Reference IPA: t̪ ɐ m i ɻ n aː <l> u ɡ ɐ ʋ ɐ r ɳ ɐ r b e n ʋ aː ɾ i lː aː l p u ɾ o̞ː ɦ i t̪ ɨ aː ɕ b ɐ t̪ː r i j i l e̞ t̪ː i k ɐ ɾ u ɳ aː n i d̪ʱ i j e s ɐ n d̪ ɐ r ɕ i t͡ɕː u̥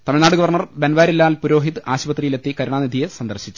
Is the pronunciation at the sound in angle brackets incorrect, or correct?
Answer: incorrect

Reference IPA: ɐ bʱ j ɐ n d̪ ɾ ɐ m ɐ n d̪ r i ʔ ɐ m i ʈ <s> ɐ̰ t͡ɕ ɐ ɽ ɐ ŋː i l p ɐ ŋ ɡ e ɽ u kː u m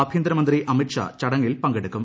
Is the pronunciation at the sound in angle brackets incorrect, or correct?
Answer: incorrect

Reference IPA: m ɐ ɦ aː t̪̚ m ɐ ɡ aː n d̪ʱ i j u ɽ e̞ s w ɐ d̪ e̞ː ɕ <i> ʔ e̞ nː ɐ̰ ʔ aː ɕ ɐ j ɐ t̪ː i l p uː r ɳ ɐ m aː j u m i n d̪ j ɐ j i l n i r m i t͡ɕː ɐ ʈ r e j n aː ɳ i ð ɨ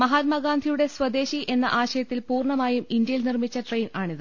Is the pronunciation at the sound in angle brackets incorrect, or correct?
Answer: correct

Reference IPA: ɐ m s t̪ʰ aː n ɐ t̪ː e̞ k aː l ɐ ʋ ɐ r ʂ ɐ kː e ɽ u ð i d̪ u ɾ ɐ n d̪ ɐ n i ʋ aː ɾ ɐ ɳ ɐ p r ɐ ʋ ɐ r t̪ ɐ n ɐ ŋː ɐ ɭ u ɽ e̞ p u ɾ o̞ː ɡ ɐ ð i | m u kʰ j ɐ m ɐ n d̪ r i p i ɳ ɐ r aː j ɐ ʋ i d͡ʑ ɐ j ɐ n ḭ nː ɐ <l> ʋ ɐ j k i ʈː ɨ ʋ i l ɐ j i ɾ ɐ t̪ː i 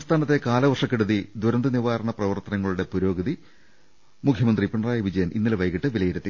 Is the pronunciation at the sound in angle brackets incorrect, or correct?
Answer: correct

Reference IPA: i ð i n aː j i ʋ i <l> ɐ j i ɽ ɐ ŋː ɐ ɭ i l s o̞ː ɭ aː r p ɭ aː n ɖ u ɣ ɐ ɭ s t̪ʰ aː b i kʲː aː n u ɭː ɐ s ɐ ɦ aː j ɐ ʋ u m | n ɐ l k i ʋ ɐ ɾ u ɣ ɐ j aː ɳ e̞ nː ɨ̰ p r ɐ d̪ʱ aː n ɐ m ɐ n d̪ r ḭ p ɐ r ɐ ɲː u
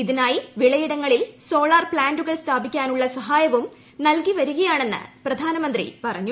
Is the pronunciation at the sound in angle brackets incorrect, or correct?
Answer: incorrect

